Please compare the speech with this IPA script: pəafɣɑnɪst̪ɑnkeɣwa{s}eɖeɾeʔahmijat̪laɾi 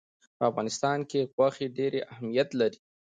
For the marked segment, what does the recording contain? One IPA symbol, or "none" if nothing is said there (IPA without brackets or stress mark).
x